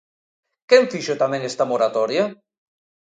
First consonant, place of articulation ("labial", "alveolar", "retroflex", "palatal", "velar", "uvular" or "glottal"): velar